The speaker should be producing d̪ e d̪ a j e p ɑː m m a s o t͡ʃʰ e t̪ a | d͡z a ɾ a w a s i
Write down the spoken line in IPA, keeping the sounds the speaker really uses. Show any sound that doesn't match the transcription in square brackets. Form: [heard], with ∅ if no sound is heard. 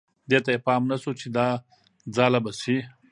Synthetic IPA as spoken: d̪ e [t̪] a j e p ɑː m [n] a s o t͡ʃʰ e [d̪] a | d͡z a [l] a [b] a s i